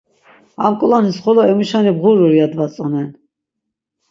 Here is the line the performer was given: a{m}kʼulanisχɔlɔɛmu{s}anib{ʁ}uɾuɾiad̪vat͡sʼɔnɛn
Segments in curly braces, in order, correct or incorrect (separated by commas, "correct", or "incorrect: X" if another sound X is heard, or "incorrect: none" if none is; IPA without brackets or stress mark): correct, incorrect: ʃ, correct